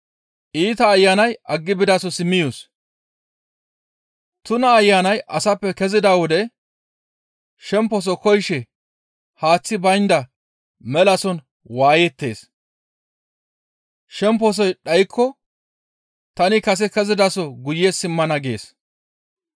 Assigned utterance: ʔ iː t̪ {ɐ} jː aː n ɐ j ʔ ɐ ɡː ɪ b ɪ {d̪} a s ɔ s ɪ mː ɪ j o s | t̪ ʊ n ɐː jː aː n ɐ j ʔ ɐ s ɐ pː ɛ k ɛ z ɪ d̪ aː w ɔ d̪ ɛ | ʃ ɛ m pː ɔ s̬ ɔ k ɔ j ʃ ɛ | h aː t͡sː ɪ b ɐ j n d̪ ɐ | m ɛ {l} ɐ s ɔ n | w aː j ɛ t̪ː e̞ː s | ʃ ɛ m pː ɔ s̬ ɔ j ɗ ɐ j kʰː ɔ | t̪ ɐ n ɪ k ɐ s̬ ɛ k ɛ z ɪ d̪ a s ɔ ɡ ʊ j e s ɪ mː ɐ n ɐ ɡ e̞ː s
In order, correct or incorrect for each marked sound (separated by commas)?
incorrect, correct, correct